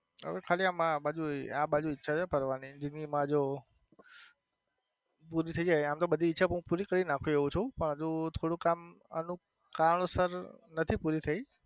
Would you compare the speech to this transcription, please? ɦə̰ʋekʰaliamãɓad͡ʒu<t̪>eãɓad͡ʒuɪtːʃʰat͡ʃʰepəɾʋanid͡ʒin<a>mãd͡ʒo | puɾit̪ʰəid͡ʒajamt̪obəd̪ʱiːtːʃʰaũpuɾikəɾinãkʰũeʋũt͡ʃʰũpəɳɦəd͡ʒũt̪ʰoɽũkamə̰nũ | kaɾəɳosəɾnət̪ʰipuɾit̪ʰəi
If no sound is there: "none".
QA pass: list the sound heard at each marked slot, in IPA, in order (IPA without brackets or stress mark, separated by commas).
none, i